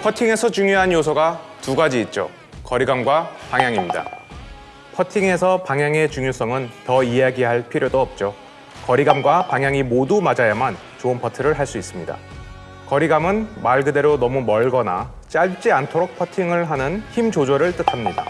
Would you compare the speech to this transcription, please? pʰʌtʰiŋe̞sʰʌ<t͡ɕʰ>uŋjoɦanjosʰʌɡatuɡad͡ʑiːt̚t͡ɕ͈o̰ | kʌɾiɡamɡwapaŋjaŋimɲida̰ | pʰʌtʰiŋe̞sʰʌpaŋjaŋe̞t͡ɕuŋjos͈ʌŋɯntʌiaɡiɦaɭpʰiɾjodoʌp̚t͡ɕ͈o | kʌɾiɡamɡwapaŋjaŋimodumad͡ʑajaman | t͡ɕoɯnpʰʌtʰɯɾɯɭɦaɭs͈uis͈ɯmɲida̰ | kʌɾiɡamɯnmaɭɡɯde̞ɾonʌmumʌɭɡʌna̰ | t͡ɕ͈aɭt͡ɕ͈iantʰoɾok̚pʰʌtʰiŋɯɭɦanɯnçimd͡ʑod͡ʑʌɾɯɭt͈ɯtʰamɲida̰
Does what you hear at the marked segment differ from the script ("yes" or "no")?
yes